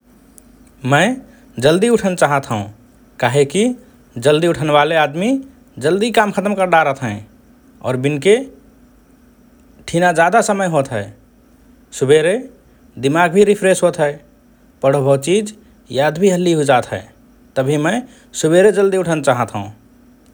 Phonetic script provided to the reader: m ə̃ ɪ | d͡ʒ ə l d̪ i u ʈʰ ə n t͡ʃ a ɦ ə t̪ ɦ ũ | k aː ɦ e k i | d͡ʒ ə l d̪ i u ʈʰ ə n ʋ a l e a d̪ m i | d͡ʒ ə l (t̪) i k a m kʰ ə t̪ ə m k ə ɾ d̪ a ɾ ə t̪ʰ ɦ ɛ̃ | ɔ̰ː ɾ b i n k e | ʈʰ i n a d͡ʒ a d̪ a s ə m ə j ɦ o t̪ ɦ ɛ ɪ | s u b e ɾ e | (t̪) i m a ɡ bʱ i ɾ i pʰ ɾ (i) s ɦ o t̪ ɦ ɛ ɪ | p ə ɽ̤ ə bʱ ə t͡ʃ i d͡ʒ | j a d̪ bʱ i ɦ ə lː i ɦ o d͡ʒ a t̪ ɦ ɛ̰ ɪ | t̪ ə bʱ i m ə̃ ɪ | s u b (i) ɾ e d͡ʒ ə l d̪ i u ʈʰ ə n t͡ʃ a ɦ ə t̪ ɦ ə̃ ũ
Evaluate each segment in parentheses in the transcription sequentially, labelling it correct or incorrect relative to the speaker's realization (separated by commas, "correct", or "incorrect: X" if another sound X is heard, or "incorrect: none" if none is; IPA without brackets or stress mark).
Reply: incorrect: d̪, incorrect: d̪, incorrect: e, incorrect: e